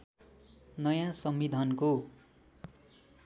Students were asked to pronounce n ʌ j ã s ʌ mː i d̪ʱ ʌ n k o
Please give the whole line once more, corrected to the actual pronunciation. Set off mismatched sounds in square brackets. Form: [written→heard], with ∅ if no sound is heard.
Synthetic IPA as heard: n ʌ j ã s ʌ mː i d̪ʱ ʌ n k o